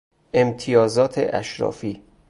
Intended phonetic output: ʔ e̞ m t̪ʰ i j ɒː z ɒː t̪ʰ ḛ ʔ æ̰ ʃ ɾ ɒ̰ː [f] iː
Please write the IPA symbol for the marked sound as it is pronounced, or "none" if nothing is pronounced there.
f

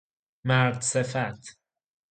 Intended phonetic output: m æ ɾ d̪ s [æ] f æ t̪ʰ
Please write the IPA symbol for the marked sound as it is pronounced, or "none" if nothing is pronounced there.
e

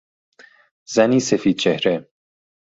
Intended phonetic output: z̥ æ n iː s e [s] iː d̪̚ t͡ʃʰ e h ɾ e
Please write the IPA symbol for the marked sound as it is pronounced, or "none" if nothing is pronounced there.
f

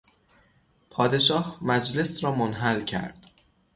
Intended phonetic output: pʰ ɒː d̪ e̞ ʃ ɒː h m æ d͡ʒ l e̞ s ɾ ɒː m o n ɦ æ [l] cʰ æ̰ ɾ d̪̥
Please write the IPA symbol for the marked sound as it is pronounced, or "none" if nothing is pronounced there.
l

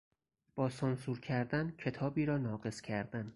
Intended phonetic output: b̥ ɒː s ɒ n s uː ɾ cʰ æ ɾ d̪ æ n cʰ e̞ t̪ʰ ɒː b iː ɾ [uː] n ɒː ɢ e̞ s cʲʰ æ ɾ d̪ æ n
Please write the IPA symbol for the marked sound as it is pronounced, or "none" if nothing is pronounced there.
ɒː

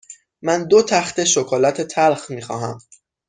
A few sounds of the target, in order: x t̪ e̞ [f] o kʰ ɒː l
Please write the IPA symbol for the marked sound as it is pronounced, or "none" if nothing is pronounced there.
ʃ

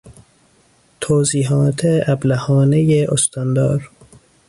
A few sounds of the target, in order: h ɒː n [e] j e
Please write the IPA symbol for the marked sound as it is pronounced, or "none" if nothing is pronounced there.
e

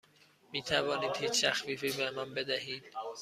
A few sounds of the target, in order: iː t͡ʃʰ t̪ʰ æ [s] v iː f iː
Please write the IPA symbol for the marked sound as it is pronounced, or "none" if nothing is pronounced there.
x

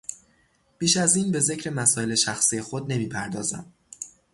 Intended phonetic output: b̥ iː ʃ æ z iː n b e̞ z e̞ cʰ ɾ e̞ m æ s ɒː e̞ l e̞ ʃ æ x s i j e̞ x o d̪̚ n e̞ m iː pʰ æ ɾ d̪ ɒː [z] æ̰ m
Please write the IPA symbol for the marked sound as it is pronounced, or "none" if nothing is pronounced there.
z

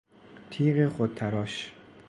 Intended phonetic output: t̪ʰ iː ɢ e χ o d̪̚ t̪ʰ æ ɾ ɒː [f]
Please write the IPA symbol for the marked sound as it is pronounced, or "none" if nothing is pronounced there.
ʃ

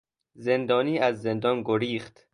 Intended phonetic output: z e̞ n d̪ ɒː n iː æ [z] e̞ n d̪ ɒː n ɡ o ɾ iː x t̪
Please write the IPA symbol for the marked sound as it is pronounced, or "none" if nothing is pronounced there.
zː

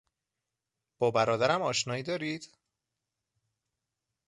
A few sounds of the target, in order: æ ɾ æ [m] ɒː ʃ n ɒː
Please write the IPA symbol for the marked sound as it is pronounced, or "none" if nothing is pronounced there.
m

